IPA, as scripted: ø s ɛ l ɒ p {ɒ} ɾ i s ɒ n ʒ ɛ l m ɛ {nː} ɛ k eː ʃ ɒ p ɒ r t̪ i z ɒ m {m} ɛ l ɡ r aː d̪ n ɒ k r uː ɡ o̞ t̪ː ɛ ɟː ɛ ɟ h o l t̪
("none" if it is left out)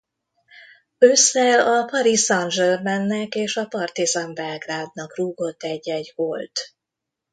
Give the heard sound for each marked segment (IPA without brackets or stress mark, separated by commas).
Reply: ɒ, nː, b